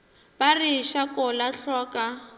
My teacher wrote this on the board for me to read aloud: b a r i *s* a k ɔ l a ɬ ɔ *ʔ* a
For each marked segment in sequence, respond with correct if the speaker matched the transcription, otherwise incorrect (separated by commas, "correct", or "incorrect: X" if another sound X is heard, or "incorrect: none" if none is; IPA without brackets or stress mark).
incorrect: ʃ, incorrect: k